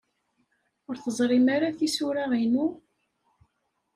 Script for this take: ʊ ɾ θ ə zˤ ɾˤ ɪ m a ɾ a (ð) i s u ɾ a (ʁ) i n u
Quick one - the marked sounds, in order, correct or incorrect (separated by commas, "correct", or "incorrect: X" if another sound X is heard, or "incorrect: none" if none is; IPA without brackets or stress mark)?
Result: incorrect: θ, correct